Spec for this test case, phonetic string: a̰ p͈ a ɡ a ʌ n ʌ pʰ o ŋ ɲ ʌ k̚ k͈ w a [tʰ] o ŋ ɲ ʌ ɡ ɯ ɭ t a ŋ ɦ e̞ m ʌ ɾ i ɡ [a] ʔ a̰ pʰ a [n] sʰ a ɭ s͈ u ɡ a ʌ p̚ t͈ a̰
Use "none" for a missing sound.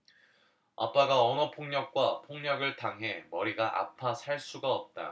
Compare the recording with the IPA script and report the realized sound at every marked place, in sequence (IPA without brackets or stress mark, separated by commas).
pʰ, a, none